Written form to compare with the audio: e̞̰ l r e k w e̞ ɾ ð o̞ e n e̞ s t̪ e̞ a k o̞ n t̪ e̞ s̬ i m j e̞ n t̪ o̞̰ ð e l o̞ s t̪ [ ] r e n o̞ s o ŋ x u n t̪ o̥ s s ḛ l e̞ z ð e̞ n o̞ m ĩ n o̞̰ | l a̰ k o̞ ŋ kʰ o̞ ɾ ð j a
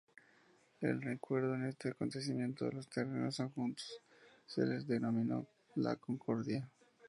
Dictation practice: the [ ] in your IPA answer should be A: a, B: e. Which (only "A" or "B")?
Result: B